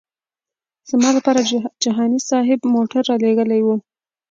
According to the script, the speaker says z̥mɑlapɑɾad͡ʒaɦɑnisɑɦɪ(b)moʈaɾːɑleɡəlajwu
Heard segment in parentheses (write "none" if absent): b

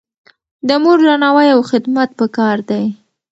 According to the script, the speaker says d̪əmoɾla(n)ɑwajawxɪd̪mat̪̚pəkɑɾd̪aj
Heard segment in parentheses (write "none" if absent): n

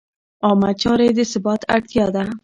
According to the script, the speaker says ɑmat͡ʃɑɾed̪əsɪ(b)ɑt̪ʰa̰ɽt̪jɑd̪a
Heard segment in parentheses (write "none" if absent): b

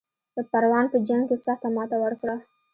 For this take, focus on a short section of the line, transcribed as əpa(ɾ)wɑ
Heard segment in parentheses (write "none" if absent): ɾ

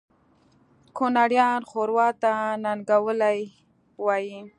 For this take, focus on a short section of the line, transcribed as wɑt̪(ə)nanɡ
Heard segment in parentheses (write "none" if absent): a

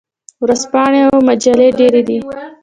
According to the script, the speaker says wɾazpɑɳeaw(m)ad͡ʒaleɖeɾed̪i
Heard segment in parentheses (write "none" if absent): m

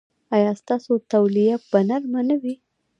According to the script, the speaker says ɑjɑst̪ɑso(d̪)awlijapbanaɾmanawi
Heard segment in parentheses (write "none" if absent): t̪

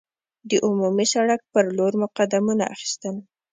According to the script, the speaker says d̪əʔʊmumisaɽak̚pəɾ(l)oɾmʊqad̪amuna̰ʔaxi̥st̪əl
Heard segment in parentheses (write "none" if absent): l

